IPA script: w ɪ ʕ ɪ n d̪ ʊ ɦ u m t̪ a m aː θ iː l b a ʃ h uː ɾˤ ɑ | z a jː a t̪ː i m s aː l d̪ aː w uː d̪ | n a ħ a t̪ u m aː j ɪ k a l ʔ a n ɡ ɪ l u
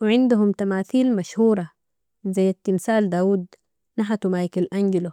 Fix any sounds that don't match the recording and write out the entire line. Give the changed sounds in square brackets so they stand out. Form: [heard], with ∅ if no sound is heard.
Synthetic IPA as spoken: w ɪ ʕ ɪ n d̪ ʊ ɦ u m t̪ a m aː θ iː l [m] a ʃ h uː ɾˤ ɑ | z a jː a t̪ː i m s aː l d̪ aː w uː d̪ | n a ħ a t̪ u m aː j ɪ k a l ʔ a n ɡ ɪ l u